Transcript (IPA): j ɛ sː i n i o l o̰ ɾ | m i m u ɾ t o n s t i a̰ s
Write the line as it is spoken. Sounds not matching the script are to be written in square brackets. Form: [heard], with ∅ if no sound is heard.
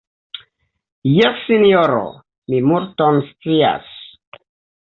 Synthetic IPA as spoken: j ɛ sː i n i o [ɾ] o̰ [∅] | m i m u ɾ t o n s [t͡s] i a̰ s